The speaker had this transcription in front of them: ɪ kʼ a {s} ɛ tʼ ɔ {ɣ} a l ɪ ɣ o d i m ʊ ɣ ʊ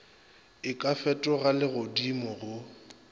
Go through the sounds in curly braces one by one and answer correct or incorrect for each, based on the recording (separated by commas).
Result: incorrect, correct